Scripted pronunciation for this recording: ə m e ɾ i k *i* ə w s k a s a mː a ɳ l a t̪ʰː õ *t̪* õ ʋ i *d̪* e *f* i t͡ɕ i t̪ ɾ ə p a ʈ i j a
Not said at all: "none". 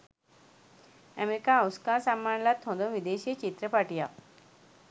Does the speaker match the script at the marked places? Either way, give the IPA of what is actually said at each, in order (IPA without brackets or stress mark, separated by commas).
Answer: a, d̪, d̪, ɕ